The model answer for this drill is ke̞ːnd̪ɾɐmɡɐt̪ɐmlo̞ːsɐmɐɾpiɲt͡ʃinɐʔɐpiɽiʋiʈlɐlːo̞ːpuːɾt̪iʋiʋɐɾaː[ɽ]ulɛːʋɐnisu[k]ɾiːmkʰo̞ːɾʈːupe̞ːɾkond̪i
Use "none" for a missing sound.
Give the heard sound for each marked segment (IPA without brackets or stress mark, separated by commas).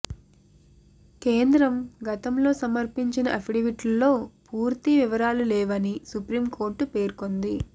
l, p